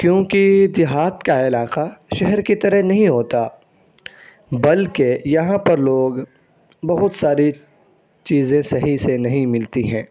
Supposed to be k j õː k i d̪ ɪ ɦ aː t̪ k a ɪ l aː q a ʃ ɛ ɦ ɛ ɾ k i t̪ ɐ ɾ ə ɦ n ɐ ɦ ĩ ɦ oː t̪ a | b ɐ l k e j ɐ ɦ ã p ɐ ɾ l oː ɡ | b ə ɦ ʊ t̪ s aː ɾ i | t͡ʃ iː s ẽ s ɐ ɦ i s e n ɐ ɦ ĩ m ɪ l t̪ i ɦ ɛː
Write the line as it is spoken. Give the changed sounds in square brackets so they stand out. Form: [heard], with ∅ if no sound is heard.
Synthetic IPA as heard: k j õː k i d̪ ɪ ɦ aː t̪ k a ɪ l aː q a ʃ ɛ ɦ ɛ ɾ k i t̪ ɐ ɾ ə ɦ n ɐ ɦ ĩ ɦ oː t̪ a | b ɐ l k e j ɐ ɦ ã p ɐ ɾ l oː ɡ | b [ɐ] ɦ ʊ t̪ s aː ɾ i | t͡ʃ iː [z] ẽ s ɐ ɦ i s e n ɐ ɦ ĩ m ɪ l t̪ i ɦ [ɛ̃ː]